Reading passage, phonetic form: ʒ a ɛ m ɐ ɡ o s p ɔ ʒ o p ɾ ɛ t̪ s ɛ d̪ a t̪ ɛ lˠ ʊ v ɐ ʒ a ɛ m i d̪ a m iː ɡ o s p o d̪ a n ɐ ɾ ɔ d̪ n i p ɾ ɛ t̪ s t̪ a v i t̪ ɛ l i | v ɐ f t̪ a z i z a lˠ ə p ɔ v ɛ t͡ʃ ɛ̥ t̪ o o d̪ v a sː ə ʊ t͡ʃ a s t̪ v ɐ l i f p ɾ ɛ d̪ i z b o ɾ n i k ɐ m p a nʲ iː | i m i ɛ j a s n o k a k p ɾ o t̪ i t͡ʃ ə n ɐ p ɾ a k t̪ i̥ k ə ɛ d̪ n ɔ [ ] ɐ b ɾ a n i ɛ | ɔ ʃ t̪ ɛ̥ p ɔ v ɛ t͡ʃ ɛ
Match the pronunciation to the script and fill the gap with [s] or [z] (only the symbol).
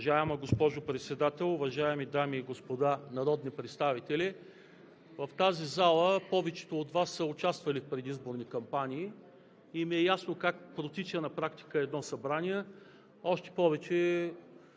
s